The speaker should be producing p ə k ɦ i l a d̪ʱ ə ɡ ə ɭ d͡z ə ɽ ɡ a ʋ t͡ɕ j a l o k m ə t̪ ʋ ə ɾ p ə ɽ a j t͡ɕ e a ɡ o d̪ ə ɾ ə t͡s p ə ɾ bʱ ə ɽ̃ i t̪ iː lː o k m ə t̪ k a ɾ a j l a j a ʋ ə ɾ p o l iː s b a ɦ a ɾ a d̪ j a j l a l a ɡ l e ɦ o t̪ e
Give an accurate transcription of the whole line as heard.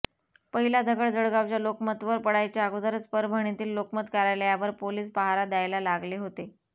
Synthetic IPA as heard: p ə ɦ i l a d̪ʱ ə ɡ ə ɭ d͡z ə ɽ ɡ a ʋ t͡ɕ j a l o k m ə t̪ ʋ ə ɾ p ə ɽ a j t͡ɕ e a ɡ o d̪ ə ɾ ə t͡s p ə ɾ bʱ ə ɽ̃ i t̪ iː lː o k m ə t̪ k a ɾ a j l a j a ʋ ə ɾ p o l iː s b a ɦ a ɾ a d̪ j a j l a l a ɡ l e ɦ o t̪ e